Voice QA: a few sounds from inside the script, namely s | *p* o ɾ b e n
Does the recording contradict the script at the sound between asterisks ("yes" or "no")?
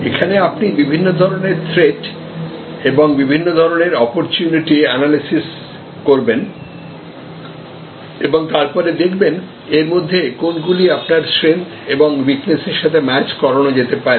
yes